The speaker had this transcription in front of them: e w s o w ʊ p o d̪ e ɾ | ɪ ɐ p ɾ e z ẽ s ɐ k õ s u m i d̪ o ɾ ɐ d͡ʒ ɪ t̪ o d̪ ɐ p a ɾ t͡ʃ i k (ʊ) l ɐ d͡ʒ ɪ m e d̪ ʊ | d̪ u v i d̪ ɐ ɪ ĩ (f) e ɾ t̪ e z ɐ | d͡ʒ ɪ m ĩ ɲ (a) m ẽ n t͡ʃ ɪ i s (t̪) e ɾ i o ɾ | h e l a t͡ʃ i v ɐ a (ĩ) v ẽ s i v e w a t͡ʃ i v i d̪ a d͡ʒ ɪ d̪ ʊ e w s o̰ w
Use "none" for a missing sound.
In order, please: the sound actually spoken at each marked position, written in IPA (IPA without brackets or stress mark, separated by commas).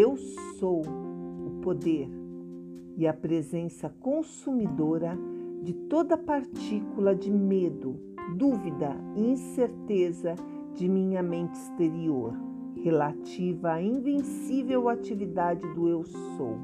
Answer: u, s, ɐ, t̪, ĩ